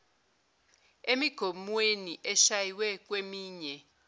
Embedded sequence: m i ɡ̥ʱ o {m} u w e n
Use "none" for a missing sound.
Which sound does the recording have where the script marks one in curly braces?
m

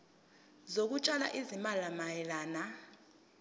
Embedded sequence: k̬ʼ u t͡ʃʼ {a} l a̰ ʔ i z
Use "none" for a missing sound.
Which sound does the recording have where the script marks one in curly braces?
a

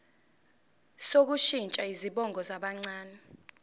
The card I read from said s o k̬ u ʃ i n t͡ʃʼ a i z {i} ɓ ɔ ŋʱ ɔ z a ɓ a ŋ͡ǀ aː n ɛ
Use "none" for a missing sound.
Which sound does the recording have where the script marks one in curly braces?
i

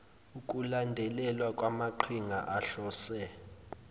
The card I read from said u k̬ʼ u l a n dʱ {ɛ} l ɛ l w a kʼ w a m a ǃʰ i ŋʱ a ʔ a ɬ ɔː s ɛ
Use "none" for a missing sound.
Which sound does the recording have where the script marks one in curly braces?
ɛ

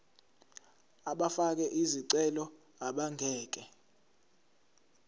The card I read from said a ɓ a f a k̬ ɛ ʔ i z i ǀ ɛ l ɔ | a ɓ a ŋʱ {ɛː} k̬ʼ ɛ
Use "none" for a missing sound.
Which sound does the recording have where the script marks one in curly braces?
ɛː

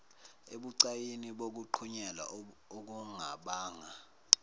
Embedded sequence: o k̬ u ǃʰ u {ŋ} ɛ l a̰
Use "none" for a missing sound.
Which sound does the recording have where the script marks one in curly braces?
ɲ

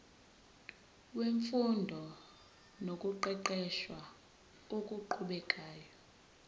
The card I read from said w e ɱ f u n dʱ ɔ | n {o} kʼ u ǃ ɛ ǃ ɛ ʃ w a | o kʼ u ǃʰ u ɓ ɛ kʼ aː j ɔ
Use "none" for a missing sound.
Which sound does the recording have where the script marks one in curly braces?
o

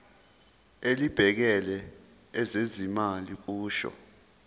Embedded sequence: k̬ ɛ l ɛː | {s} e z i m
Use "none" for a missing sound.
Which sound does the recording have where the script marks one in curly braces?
z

